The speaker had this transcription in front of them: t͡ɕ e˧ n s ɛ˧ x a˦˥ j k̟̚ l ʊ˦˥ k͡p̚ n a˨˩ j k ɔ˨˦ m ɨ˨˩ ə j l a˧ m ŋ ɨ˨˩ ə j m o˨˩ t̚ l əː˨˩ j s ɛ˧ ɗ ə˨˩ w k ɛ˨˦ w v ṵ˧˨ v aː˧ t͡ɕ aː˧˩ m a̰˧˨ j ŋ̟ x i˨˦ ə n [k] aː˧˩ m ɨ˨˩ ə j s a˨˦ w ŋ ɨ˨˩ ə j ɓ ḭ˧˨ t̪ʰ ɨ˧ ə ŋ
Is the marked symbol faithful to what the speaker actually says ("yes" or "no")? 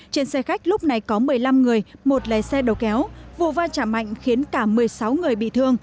yes